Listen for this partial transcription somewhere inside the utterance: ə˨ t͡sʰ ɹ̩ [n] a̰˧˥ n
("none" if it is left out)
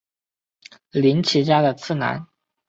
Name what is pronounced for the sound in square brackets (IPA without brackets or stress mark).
n